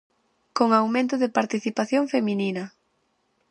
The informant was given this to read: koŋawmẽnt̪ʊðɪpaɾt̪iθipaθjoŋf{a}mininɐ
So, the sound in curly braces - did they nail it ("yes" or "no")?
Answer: no